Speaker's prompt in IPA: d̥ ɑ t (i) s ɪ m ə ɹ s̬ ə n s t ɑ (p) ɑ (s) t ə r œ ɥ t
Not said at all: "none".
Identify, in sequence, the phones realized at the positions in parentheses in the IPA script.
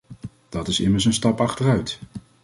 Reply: ɪ, p, χ

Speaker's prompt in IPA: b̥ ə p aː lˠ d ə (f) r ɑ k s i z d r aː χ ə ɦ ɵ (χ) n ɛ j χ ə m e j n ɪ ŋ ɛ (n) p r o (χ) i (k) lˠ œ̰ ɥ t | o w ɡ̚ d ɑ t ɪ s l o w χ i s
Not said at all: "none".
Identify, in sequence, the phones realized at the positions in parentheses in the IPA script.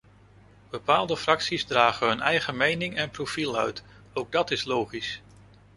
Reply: f, none, n, f, none

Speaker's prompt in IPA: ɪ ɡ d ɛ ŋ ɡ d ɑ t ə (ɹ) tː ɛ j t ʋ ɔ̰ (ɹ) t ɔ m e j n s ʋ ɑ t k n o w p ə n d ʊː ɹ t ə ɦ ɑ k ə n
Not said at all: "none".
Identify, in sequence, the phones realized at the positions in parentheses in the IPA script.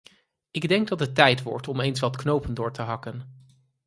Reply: none, ɹ

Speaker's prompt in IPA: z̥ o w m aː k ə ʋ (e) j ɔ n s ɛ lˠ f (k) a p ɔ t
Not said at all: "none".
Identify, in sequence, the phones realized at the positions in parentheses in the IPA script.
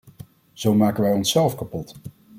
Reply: ɛ, k

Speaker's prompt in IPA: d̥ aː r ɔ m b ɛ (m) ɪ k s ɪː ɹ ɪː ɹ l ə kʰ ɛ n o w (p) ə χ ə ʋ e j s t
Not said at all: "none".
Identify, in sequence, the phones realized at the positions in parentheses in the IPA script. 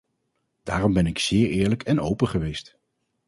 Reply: n, p

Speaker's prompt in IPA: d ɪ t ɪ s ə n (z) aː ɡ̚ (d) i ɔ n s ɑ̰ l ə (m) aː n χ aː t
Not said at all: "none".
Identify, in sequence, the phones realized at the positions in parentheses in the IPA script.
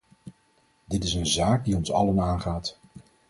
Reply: z, d, n

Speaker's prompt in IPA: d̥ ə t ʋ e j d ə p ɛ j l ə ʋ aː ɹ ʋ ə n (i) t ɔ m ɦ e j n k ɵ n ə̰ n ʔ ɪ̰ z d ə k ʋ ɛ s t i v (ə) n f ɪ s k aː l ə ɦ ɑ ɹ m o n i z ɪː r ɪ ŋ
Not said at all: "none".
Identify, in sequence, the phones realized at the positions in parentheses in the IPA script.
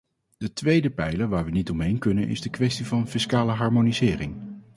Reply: i, ɑ

